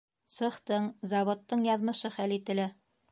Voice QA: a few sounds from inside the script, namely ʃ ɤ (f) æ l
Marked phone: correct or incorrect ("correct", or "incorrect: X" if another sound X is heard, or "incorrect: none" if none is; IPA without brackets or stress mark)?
incorrect: χ